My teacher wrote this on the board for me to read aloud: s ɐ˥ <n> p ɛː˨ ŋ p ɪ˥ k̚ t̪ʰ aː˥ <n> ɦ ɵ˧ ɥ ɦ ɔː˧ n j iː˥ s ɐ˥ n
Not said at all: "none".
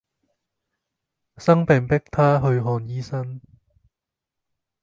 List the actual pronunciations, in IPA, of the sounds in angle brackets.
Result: ŋ, none

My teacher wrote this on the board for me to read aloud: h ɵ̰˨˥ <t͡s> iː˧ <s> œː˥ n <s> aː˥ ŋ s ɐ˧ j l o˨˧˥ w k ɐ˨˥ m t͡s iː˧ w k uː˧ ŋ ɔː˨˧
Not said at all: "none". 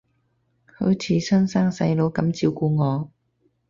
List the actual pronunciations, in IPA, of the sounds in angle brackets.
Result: t͡sʰ, s, s

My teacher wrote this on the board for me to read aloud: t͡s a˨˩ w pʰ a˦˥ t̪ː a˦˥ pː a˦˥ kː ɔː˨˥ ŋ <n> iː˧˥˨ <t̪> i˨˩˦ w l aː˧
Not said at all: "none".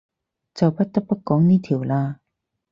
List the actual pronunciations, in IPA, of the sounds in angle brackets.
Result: n, t̪ʰ

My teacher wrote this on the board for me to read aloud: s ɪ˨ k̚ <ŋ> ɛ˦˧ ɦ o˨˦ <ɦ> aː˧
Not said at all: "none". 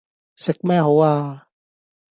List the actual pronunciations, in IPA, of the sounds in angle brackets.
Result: m, none

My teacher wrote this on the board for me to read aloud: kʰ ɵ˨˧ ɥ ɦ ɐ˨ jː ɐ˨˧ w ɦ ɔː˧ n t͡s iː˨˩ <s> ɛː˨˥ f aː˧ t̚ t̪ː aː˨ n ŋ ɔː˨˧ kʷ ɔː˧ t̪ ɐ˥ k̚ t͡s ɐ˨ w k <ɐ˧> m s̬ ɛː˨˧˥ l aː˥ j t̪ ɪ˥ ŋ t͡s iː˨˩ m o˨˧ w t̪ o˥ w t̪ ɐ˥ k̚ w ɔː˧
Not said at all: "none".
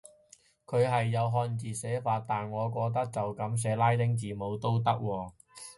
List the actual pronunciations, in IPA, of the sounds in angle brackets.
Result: s, ɐ˨˥

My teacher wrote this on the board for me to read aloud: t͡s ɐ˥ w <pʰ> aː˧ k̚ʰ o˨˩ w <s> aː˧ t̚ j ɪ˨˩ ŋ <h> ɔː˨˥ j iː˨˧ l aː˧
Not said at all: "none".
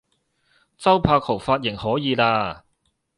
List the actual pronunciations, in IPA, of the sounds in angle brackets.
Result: pʰ, f, h

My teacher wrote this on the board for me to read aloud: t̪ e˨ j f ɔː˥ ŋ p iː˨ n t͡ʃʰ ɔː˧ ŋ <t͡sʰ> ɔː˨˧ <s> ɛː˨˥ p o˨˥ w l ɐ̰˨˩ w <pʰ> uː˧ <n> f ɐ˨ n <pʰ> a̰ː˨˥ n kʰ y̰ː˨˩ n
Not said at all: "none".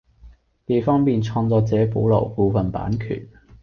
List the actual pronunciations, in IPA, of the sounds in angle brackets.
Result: t͡s, t͡s, p, none, p

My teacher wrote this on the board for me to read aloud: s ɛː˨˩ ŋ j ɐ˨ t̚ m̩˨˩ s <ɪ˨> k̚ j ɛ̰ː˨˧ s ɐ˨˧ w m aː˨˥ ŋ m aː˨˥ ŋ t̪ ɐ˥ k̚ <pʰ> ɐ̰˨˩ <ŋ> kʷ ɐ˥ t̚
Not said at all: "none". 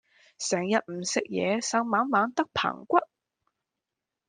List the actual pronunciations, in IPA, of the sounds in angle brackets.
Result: ɪ˨, pʰ, ŋ

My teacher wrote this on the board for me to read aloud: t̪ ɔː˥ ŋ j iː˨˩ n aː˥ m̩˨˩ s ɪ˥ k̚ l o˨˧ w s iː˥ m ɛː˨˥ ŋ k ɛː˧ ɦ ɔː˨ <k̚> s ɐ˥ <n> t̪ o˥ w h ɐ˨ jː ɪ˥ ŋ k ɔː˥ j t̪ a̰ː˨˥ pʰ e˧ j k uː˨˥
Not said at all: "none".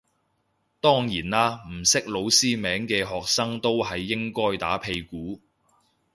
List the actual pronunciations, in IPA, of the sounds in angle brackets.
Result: k̚, ŋ

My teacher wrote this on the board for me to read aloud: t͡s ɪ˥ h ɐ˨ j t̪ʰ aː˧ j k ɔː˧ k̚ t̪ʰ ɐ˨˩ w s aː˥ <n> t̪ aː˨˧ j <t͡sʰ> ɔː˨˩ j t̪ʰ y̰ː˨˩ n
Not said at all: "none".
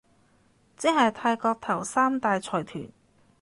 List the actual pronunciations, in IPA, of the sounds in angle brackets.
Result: m, t͡sʰ

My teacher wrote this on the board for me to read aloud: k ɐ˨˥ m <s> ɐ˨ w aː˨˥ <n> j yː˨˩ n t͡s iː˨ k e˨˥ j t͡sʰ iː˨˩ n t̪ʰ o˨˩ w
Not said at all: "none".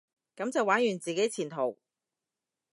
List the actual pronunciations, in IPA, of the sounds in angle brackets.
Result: t͡s, n

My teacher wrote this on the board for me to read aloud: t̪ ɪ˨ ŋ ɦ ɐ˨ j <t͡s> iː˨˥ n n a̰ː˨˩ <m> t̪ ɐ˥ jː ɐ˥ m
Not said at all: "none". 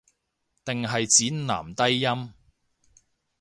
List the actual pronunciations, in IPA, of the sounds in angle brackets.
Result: t͡s, m

